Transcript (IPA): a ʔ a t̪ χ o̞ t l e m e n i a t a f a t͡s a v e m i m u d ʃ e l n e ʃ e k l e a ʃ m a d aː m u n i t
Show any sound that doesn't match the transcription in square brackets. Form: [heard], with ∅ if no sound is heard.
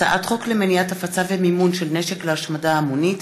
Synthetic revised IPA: a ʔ a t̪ χ o̞ [k] l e m e n i a t a f a t͡s a v e m i m u [n] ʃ e l n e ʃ e k l e a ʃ m a d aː m u n i t